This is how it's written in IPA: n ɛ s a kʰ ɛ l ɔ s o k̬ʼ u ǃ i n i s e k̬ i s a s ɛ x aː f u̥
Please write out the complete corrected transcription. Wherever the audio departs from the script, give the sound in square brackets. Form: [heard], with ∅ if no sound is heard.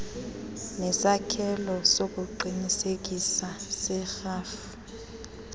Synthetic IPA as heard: n ɛ s a kʰ ɛ l ɔ s o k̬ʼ u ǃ i n i s e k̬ i s a s ɛ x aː f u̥

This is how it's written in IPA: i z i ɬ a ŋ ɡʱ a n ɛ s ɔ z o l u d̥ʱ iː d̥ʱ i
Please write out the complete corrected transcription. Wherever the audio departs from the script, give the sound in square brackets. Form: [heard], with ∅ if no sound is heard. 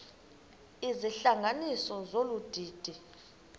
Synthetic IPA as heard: i z i ɬ a ŋ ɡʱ a n [i] s ɔ z o l u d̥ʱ iː d̥ʱ i

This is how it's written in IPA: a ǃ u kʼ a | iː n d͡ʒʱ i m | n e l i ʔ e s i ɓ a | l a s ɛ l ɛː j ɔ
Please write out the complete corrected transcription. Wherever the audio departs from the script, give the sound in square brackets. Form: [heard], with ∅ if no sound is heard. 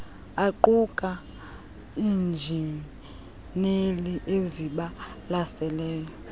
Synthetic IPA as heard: a ǃ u kʼ a | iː n d͡ʒʱ i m | n e l i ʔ e [z] i ɓ a | l a s ɛ l ɛː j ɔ

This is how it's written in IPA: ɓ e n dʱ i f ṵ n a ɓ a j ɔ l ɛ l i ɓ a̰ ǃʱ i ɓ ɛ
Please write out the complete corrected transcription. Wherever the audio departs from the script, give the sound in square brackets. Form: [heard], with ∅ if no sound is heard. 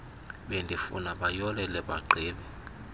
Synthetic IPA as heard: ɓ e n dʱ i f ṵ n a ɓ a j ɔ l ɛ l [ɛ] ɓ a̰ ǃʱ [iː] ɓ ɛ

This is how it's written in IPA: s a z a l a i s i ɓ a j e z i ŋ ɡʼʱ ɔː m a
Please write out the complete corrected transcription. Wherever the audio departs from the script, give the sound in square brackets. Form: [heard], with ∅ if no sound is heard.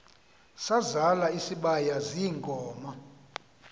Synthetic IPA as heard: s a z a l a i s i ɓ a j [a] z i ŋ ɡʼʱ ɔː m a

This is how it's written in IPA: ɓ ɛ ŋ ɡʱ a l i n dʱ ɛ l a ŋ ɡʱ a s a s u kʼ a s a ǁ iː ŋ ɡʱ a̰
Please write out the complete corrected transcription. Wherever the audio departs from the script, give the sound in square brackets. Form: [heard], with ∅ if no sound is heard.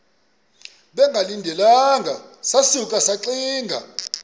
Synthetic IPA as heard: ɓ ɛ ŋ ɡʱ a l i n dʱ ɛ l a ŋ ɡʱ a s a s u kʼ a s a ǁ iː ŋ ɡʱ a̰

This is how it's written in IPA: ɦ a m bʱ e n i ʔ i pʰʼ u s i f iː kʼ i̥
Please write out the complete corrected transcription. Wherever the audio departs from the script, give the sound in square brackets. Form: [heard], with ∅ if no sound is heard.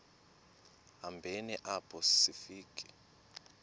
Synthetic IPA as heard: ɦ a m bʱ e n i ʔ [a] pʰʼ [ɔ] s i f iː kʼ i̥

